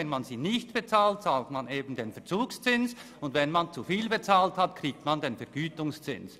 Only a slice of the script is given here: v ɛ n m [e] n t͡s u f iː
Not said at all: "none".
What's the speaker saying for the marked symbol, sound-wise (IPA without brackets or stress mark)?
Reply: a